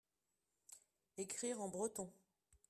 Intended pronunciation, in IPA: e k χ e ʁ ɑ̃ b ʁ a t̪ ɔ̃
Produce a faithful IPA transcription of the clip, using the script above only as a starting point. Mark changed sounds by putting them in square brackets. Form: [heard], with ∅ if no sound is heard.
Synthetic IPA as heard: e k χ [i] ʁ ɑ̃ b ʁ [ə] t̪ ɔ̃